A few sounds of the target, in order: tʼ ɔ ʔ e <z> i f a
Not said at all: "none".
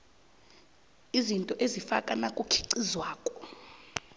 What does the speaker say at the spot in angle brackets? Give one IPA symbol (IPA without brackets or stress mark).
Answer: z